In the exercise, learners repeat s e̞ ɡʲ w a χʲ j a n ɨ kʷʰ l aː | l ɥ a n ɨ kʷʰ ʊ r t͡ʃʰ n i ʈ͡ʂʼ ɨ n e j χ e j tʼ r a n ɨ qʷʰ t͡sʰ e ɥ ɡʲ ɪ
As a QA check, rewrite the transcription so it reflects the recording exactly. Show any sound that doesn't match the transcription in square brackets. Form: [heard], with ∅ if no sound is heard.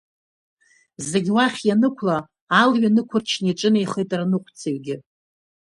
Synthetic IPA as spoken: [z] e̞ ɡʲ w a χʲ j a n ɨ kʷʰ l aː | l ɥ a n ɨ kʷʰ ʊ r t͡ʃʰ n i ʈ͡ʂʼ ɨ n e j χ e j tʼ r a n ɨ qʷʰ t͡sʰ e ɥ ɡʲ ɪ